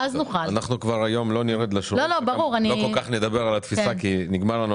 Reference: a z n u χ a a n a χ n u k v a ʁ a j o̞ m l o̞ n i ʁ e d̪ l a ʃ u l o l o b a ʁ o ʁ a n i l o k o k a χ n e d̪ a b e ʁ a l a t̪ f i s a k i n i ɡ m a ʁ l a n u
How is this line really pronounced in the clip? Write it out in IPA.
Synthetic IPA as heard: a z n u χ a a n a χ n u k v a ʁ a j o̞ m l o̞ n i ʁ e d̪ l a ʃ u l o l o b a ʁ u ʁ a n i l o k o k a χ n e d̪ a b e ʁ a l a t̪ f i s a k i n i ɡ m a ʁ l a n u